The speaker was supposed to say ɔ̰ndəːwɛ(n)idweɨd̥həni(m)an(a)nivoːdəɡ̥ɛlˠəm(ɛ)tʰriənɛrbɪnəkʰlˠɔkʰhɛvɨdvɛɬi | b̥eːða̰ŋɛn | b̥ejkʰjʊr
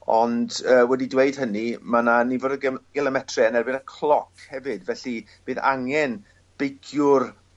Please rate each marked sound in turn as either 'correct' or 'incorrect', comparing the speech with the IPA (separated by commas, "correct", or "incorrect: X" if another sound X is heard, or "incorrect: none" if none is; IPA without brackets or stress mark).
incorrect: d, correct, correct, correct